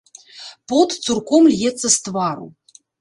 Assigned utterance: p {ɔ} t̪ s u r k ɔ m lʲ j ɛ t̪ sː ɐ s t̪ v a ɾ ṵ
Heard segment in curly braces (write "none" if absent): ɔ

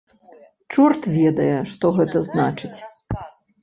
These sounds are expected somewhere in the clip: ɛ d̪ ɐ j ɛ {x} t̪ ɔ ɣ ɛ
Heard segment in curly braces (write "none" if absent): ʂ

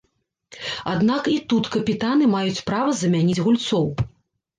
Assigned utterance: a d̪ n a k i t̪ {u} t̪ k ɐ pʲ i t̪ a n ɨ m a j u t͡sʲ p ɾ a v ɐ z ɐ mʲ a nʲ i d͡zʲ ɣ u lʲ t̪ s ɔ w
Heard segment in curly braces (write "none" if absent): u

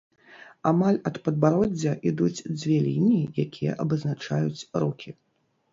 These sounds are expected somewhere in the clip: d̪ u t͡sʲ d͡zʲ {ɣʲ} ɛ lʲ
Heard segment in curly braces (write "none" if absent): vʲ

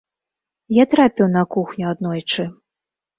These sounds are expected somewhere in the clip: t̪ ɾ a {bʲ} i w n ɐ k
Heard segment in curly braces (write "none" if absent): pʲ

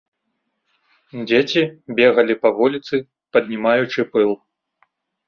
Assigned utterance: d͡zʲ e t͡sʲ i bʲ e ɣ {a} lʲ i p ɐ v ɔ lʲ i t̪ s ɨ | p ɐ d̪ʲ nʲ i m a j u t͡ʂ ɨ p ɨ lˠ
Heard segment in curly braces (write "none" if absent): ɐ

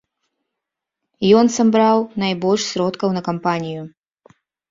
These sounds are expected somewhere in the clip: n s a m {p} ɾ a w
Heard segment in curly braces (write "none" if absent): b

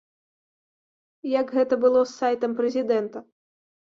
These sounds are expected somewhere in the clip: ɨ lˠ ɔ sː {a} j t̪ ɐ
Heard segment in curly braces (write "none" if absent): a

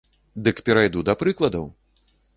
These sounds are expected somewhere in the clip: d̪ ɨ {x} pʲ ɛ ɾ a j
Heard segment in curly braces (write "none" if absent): k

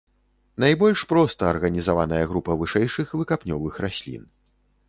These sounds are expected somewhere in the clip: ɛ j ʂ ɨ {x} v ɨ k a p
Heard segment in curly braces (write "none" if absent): x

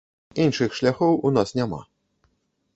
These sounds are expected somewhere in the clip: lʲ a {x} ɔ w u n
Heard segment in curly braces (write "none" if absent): x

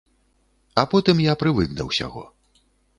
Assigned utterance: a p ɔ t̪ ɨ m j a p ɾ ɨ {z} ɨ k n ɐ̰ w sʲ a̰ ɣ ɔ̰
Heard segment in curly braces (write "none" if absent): v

